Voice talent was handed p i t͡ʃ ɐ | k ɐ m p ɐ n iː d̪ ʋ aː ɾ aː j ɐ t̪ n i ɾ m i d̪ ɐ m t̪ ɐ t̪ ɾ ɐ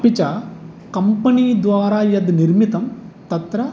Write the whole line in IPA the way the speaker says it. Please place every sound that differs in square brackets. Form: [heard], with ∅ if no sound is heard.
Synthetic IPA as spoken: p i t͡ʃ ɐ | k ɐ m p ɐ n iː d̪ ʋ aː ɾ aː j ɐ [d̪] n i ɾ m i [t̪] ɐ m t̪ ɐ t̪ ɾ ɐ

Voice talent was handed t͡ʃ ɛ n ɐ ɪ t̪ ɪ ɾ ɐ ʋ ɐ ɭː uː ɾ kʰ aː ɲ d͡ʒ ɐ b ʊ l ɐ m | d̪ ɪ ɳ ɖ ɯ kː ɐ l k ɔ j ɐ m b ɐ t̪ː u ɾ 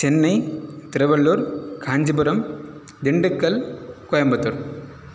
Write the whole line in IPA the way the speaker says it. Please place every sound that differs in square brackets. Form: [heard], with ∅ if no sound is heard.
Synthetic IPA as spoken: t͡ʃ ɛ [nː] ɐ ɪ t̪ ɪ ɾ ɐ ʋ ɐ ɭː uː ɾ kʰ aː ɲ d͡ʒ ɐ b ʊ [ɾ] ɐ m | d̪ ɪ ɳ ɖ ɯ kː ɐ l k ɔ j ɐ m b ɐ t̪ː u ɾ

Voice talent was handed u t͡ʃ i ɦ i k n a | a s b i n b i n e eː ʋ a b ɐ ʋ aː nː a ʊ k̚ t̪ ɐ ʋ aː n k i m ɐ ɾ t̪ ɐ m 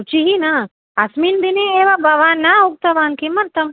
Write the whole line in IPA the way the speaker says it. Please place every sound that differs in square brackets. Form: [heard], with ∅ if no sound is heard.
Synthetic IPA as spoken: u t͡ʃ i ɦ i [∅] n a | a s [m] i n b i n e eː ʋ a b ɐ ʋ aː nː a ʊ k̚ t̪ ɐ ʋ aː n k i m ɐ ɾ t̪ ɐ m

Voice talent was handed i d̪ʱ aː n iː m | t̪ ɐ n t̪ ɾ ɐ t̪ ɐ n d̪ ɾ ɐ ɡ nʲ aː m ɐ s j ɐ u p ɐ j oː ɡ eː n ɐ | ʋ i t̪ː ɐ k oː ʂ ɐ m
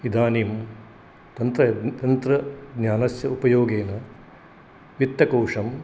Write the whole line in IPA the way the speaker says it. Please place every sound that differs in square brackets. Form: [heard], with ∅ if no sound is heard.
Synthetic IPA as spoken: i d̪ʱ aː n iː m | t̪ ɐ n t̪ ɾ ɐ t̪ ɐ n [t̪] ɾ ɐ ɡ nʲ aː [n] ɐ s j ɐ u p ɐ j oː ɡ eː n ɐ | ʋ i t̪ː ɐ k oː ʂ ɐ m

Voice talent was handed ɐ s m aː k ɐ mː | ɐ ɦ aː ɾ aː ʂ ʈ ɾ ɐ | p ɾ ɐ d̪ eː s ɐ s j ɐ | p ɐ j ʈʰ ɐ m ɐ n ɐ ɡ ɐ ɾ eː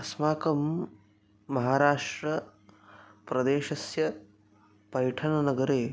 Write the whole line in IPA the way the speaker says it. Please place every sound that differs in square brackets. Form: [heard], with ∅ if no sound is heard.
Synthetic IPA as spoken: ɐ s m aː k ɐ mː | ɐ ɦ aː ɾ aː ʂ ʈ ɾ ɐ | p ɾ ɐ d̪ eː [ʃ] ɐ s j ɐ | p ɐ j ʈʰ ɐ [n] ɐ n ɐ ɡ ɐ ɾ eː

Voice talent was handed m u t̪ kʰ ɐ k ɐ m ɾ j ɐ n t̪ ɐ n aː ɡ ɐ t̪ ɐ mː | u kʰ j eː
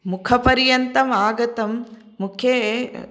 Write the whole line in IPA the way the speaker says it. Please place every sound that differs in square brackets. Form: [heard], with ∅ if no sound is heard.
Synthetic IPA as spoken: m u [∅] kʰ ɐ [p] ɐ [∅] ɾ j ɐ n t̪ ɐ [m] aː ɡ ɐ t̪ ɐ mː | u kʰ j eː

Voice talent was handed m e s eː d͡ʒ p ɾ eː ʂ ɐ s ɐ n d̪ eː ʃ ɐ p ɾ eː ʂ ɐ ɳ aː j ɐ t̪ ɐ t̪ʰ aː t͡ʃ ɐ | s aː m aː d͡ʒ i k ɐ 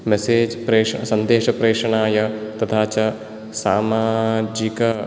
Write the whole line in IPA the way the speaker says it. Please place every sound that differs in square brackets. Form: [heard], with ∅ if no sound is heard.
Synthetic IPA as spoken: m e s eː d͡ʒ p ɾ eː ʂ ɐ s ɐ n d̪ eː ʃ ɐ p ɾ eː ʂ ɐ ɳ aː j ɐ t̪ ɐ t̪ʰ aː t͡ʃ ɐ | s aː m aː d͡ʒ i k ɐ

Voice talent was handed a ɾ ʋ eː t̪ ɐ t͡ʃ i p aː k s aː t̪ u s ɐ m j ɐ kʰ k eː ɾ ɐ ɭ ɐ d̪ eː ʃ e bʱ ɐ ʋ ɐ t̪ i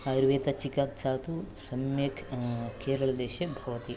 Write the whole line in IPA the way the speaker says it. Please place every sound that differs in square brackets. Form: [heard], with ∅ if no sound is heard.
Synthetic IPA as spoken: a ɾ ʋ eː t̪ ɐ t͡ʃ i [k] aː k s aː t̪ u s ɐ m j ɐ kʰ k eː ɾ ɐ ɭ ɐ d̪ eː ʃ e bʱ ɐ ʋ ɐ t̪ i

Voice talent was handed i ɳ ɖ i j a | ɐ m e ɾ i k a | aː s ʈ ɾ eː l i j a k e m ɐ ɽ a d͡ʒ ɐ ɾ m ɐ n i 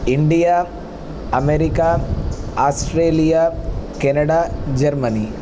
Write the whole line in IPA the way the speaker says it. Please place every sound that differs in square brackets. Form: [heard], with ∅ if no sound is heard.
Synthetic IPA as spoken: i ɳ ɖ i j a | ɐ m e ɾ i k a | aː s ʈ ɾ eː l i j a k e [n] ɐ ɽ a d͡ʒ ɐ ɾ m ɐ n i

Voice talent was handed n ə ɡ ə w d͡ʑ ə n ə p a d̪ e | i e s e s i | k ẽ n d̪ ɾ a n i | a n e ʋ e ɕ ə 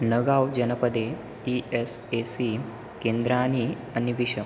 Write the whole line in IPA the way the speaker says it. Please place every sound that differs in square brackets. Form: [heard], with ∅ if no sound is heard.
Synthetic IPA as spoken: n ə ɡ [a] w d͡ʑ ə n ə p [ə] d̪ e | i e s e s i | k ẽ n d̪ ɾ a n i | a n [i] ʋ [i] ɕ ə

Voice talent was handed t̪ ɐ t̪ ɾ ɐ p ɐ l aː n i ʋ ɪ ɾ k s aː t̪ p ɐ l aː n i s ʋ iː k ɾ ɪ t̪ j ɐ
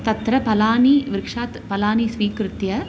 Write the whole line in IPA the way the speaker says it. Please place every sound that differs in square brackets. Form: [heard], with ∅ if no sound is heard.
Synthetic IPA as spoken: t̪ ɐ t̪ ɾ ɐ p ɐ l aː n i ʋ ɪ ɾ k [ʂ] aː t̪ p ɐ l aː n i s ʋ iː k ɾ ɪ t̪ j ɐ

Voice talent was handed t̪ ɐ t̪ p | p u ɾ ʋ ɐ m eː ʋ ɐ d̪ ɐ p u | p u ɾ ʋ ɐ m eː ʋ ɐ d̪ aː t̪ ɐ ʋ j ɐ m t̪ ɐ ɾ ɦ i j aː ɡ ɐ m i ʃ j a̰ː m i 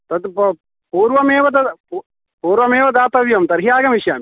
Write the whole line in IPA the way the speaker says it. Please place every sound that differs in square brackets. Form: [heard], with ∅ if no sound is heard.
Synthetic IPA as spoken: t̪ ɐ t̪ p | p [uː] ɾ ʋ ɐ m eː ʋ ɐ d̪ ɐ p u | p [uː] ɾ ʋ ɐ m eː ʋ ɐ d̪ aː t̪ ɐ ʋ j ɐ m t̪ ɐ ɾ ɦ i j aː ɡ ɐ m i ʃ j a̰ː m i

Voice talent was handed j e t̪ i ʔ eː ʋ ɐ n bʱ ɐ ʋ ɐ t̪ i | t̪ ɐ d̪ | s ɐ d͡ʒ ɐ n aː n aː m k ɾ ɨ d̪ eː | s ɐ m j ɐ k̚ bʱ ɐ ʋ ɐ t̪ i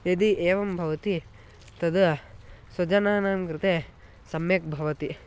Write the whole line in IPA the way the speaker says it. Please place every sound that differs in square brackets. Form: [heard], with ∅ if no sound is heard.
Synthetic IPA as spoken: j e [d̪] i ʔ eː ʋ ɐ [m] bʱ ɐ ʋ ɐ t̪ i | t̪ ɐ d̪ | s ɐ d͡ʒ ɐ n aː n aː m k ɾ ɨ [t̪] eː | s ɐ m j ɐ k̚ bʱ ɐ ʋ ɐ t̪ i

